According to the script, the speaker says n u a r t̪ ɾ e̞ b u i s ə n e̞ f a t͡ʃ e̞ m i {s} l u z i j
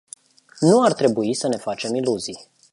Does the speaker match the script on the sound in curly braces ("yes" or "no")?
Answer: no